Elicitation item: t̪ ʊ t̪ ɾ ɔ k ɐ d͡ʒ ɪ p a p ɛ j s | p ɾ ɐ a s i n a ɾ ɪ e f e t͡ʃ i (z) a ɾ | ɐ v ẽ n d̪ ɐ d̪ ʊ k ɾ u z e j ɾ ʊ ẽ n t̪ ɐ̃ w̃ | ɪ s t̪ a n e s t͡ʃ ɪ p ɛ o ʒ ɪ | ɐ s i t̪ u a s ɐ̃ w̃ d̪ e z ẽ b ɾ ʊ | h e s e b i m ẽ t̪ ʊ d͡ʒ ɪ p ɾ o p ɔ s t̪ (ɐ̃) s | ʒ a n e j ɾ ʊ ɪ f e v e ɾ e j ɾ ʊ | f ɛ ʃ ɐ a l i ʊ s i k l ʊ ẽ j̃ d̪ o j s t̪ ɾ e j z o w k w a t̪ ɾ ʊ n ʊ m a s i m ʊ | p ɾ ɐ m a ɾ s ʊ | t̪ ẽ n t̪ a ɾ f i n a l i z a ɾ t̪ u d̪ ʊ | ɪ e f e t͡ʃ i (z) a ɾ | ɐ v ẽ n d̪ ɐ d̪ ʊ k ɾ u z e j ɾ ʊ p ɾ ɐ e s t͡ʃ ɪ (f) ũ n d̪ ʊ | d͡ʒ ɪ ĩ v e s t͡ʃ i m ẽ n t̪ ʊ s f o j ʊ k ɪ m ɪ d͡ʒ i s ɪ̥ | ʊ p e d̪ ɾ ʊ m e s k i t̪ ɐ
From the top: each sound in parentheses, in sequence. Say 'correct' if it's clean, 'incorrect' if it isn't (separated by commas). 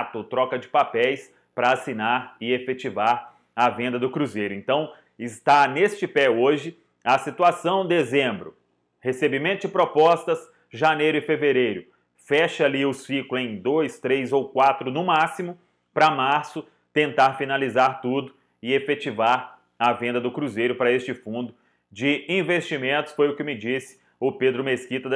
incorrect, incorrect, incorrect, correct